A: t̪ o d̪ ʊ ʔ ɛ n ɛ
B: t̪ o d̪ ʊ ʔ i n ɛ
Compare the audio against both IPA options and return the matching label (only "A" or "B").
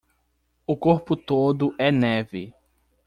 A